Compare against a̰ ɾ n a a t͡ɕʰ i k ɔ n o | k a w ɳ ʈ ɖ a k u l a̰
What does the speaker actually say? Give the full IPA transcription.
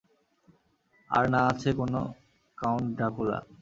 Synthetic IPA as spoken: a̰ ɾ n a a t͡ɕʰ e k o n o | k a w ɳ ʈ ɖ a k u l a̰